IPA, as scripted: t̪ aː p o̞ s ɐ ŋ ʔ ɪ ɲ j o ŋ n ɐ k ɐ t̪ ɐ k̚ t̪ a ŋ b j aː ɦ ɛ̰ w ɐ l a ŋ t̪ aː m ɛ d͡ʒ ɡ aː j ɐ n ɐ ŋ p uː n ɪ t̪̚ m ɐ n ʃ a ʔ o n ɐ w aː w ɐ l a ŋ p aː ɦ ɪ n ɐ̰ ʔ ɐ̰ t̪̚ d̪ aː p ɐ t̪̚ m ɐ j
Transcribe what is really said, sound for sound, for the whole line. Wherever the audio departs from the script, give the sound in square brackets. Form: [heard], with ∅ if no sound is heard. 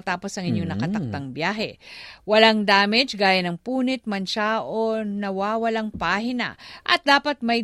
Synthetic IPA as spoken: t̪ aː p o̞ s ɐ ŋ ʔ ɪ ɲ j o ŋ n ɐ k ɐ t̪ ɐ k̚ t̪ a ŋ b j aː ɦ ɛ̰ w ɐ l a ŋ [d̪] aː m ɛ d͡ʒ ɡ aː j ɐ n ɐ ŋ p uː n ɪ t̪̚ m ɐ n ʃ a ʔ o n ɐ w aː w ɐ l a ŋ p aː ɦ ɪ n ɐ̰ ʔ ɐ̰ t̪̚ d̪ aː p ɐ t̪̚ m ɐ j